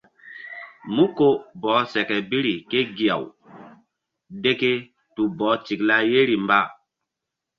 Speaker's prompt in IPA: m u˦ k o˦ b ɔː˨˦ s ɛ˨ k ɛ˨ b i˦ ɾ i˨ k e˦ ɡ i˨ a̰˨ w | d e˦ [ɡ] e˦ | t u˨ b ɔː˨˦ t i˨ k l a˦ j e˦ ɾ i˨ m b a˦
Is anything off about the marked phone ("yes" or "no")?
yes